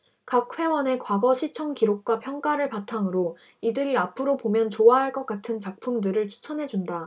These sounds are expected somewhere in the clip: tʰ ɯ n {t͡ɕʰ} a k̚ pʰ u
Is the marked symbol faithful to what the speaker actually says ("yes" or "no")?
no